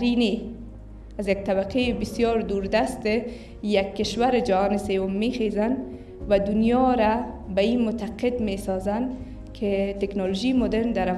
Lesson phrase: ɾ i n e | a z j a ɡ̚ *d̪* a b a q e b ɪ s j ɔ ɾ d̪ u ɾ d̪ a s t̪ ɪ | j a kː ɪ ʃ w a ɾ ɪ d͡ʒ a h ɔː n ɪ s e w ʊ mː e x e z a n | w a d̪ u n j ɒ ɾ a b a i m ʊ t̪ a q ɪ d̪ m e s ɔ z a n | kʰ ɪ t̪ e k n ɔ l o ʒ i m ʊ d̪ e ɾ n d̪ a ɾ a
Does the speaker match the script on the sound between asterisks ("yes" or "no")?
no